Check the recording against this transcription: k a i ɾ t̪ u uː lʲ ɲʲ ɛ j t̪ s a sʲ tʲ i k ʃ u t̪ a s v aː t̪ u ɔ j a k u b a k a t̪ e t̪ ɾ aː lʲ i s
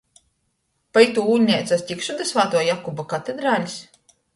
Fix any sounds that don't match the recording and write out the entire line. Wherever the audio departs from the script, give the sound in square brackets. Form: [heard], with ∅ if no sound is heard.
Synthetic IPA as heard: [p] a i [∅] t̪ u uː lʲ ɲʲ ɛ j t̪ s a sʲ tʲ i k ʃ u [d̪] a s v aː t̪ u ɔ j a k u b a k a t̪ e [d̪] ɾ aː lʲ i s